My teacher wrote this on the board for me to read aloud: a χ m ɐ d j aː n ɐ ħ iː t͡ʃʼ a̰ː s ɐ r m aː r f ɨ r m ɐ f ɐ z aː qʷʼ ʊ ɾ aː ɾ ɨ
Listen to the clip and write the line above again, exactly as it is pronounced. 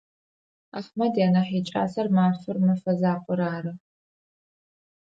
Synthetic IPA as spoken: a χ m ɐ d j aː n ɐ ħ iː t͡ʃʼ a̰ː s ɐ r m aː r f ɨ r m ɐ f ɐ z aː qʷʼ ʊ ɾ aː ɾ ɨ